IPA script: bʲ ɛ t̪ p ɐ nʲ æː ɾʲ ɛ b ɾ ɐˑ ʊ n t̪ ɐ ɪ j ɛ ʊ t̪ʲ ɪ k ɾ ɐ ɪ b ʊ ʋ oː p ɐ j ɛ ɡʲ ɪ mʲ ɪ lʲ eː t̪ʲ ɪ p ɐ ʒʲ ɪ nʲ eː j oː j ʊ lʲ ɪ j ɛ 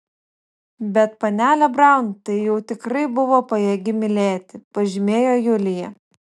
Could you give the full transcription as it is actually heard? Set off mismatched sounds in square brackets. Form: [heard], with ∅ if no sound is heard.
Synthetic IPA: bʲ ɛ t̪ p ɐ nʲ æː [lʲ] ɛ b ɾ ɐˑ ʊ n t̪ ɐ ɪ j ɛ ʊ t̪ʲ ɪ k ɾ ɐ ɪ b ʊ ʋ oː p ɐ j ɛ ɡʲ ɪ mʲ ɪ lʲ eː t̪ʲ ɪ p ɐ ʒʲ ɪ [mʲ] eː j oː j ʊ lʲ ɪ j ɛ